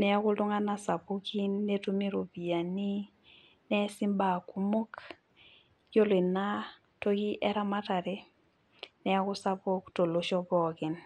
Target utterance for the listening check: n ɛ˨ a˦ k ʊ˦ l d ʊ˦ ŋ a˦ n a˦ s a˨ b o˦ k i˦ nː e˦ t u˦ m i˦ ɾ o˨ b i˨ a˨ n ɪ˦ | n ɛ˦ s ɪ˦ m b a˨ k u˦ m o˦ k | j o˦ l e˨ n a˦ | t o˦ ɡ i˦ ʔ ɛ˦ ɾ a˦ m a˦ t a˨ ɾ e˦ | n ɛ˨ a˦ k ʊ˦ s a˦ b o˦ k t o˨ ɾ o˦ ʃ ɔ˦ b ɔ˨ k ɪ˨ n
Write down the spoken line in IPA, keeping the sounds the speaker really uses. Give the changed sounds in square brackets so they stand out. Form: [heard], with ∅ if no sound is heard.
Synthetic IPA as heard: n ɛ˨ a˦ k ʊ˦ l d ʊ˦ ŋ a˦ n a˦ s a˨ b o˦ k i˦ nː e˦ t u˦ m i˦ ɾ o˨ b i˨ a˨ n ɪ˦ | n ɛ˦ s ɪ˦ m b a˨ k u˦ m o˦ k | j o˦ l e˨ n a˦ | t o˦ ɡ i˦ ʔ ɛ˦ ɾ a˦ m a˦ t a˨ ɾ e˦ | n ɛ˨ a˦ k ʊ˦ s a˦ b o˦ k t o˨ [l] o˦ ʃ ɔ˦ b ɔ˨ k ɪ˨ n

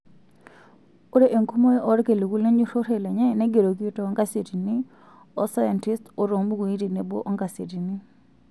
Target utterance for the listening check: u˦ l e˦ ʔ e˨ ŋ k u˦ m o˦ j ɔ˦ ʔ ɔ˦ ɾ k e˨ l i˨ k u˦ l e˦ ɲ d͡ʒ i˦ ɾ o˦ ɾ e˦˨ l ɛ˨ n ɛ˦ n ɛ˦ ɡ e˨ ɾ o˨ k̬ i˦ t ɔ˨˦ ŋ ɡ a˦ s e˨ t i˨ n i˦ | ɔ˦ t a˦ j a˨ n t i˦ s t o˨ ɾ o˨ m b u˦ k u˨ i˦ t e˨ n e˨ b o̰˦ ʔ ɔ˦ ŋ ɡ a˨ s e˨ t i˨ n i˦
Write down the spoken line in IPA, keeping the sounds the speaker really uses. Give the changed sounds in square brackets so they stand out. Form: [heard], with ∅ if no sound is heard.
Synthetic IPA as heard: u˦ [ɾ] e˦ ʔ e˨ ŋ k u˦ m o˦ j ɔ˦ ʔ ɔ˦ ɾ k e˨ l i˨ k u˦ l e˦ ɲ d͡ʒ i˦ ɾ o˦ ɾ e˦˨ l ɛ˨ [ɲ] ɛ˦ n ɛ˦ ɡ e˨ ɾ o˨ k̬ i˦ t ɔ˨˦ ŋ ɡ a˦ s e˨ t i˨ n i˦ | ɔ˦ [s] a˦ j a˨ n t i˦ s t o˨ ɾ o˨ m b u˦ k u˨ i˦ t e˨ n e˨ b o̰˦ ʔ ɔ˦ ŋ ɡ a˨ s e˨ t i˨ n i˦

